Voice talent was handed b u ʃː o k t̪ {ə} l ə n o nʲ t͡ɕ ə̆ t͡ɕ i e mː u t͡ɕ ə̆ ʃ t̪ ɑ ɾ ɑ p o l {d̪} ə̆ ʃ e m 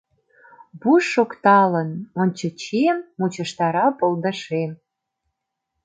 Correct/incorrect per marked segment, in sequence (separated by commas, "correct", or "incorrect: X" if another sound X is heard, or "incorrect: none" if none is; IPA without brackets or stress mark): incorrect: ɑ, correct